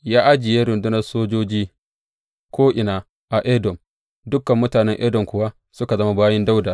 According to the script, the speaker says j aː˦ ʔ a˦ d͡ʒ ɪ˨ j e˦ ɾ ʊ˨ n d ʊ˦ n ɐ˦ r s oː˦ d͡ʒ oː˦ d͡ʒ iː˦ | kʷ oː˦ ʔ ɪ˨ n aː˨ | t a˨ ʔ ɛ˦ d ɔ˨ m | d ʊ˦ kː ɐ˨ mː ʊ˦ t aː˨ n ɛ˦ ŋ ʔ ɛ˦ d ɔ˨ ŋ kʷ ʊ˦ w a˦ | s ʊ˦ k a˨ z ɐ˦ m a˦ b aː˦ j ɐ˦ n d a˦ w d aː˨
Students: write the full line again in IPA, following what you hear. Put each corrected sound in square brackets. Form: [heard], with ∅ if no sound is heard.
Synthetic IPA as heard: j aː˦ ʔ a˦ d͡ʒ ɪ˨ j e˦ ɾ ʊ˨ n d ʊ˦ n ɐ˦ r s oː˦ d͡ʒ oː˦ d͡ʒ iː˦ | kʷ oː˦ ʔ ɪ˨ n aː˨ | [ʔ] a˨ ʔ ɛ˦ d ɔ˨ m | d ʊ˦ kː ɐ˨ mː ʊ˦ t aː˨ n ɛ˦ ŋ ʔ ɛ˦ d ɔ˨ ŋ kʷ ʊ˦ w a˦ | s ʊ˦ k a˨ z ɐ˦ m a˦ b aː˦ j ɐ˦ n d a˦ w d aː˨